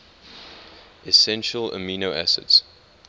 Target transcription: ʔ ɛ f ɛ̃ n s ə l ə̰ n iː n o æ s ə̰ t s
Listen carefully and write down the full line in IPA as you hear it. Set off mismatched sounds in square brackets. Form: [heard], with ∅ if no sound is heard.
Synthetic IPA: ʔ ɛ [s] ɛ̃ n [ʃ] ə l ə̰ [m] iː n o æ s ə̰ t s